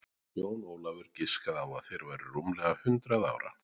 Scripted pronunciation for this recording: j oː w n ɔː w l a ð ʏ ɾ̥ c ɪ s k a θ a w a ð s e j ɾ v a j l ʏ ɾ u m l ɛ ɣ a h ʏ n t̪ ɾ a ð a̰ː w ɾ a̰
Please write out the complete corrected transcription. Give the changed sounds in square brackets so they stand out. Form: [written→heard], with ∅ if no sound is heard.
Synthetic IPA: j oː w n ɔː w l a [ð→v] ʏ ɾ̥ c ɪ s k a [θ→ð] a w a ð [s→θ] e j ɾ v a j [l→ɾ] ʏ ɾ u m l ɛ ɣ a h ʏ n t̪ ɾ a ð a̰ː w ɾ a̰